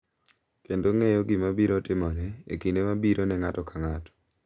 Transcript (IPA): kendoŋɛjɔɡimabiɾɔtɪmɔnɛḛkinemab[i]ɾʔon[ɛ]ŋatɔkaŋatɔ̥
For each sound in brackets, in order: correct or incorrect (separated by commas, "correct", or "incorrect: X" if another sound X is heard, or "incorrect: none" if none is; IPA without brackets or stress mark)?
correct, correct